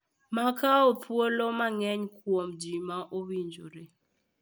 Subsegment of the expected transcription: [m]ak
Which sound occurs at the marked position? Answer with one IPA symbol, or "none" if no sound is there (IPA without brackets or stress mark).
m